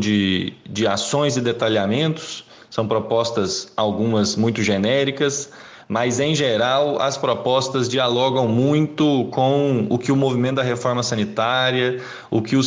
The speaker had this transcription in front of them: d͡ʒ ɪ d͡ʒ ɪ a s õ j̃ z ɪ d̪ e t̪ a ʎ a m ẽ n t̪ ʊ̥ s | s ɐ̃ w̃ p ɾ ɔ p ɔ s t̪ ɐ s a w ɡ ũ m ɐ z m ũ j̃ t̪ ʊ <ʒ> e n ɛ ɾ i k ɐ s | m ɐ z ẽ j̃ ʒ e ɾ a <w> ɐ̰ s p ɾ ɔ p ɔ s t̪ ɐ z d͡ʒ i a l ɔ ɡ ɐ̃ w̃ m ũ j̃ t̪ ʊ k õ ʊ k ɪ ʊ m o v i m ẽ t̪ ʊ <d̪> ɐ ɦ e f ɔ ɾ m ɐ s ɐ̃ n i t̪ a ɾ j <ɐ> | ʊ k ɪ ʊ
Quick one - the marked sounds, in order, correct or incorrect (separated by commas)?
correct, correct, correct, correct